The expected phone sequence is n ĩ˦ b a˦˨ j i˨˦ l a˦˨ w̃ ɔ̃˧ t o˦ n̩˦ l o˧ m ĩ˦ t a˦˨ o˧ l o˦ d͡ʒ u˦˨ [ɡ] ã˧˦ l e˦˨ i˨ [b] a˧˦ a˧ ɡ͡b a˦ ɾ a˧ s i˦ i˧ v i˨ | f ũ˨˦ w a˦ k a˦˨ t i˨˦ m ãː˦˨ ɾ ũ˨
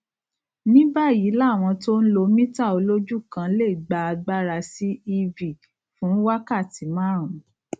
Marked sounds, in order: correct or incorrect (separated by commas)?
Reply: incorrect, incorrect